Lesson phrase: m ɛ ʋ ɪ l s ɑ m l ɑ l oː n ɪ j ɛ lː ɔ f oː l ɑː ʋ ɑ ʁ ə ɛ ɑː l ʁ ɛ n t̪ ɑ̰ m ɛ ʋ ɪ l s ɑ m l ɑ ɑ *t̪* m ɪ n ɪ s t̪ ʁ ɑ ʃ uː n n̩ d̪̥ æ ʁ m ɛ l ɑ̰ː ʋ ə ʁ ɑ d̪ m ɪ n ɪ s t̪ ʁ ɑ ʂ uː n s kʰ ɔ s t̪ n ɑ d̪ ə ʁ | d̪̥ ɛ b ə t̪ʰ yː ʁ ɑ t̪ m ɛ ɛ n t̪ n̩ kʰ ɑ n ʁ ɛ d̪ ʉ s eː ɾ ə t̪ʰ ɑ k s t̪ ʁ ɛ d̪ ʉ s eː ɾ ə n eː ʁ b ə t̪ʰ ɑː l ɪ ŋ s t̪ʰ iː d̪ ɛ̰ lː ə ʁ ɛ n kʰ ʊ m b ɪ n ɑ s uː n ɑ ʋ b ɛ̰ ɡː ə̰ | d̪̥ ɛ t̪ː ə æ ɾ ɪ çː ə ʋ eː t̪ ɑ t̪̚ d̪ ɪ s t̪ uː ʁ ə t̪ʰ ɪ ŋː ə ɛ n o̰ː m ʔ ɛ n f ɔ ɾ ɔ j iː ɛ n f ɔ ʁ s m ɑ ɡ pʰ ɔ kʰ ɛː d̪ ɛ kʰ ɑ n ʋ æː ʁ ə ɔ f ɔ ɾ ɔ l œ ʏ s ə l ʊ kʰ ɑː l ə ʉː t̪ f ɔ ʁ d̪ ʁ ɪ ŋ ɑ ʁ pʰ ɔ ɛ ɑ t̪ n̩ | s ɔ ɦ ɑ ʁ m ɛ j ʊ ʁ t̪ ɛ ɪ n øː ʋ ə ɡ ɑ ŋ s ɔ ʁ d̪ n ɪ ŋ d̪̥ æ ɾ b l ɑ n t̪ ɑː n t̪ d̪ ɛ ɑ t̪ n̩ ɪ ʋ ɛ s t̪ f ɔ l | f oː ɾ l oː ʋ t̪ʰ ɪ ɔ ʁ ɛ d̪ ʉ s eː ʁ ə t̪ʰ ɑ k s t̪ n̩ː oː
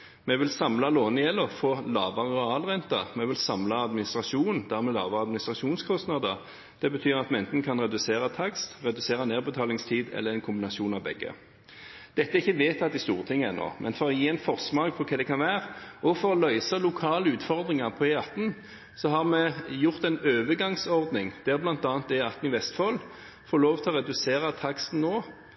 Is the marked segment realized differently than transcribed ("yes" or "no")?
yes